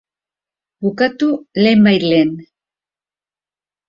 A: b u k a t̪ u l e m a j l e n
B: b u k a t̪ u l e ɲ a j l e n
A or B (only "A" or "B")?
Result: A